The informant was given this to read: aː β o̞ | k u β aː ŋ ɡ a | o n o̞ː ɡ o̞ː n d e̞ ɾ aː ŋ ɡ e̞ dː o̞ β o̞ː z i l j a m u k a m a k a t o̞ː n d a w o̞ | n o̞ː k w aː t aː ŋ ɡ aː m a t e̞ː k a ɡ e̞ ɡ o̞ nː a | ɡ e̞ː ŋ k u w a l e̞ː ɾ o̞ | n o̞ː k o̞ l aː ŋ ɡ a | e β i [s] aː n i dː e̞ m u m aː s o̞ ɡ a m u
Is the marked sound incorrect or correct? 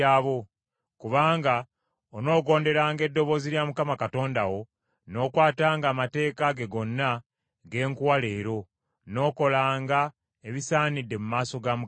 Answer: correct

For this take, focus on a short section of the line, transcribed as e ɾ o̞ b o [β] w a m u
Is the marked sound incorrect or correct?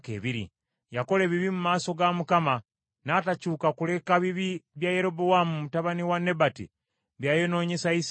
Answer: incorrect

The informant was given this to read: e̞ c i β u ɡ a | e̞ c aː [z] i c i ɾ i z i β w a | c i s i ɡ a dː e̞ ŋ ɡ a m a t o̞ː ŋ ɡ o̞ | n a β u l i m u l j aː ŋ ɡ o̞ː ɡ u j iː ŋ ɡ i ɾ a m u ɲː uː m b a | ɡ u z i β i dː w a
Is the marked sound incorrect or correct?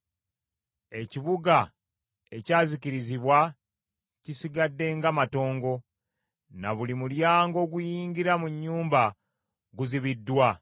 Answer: correct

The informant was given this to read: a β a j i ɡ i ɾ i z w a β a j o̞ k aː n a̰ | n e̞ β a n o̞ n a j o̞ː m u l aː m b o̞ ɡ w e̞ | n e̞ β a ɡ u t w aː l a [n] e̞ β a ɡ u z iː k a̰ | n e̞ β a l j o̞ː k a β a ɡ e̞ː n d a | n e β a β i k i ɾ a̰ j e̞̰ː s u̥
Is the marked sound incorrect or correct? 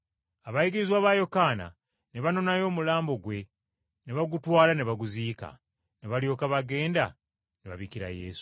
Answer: correct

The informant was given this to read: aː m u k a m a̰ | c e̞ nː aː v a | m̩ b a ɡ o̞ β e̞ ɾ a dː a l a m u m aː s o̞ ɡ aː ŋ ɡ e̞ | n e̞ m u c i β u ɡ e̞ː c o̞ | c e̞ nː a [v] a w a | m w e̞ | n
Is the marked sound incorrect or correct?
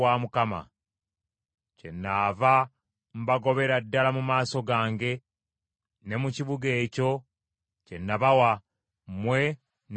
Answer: incorrect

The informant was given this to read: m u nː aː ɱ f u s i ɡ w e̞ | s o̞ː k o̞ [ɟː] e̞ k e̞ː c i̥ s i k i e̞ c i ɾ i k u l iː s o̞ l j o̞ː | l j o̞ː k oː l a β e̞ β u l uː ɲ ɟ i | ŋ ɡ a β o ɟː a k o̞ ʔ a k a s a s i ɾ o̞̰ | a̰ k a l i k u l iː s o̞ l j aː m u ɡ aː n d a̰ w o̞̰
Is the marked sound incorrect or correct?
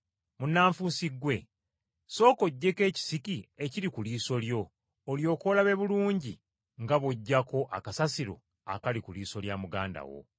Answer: correct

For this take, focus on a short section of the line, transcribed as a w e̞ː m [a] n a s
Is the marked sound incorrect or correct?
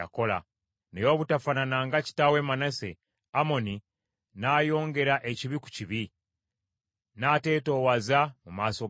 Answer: correct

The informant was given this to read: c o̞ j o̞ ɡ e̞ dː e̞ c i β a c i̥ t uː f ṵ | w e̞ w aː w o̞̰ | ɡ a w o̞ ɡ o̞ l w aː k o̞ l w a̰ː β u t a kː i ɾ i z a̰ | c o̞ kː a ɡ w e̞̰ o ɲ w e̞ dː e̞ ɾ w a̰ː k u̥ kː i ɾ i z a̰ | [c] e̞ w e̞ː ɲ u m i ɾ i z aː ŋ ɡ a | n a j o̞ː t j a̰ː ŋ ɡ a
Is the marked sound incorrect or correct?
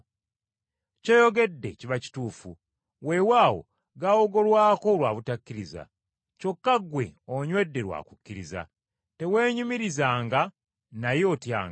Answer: incorrect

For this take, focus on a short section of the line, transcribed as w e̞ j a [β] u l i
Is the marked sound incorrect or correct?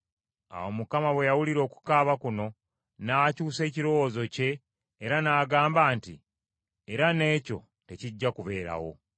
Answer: incorrect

